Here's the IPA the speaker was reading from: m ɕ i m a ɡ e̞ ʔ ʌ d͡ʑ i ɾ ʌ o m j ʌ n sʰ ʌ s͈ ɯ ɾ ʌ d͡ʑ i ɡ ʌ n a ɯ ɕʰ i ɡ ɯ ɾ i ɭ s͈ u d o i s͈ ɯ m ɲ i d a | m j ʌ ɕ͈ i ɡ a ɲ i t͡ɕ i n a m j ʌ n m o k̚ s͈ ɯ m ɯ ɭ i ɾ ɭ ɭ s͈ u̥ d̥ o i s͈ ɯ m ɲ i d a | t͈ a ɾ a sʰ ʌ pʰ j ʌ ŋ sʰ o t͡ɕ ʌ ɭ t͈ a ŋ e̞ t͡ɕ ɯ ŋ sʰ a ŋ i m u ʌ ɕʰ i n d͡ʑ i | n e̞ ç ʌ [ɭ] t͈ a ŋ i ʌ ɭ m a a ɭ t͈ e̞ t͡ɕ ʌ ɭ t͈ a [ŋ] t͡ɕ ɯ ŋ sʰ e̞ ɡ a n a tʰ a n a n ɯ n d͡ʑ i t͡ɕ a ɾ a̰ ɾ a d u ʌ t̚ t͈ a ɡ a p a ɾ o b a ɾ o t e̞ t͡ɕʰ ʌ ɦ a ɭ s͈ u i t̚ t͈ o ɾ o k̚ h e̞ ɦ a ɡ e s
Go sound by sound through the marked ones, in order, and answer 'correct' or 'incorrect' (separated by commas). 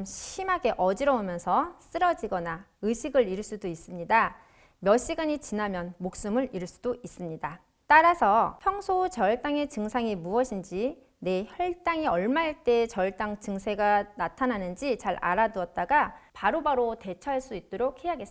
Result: correct, correct